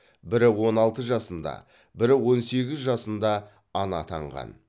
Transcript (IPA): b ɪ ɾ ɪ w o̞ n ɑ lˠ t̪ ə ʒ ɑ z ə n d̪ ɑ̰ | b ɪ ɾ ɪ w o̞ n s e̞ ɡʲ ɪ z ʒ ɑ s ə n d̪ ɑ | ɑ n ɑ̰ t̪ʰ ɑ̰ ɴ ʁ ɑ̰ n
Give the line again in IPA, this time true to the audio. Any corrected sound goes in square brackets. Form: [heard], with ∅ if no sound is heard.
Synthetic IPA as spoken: b ɪ ɾ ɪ w o̞ n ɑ lˠ t̪ ə ʒ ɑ [s] ə n d̪ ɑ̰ | b ɪ ɾ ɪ w o̞ n s e̞ ɡʲ ɪ z ʒ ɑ s ə n d̪ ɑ | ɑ n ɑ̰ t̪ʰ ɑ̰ ɴ ʁ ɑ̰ n